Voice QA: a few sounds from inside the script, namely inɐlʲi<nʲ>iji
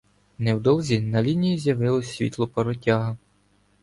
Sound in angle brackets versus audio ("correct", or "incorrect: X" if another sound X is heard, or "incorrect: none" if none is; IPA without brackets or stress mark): correct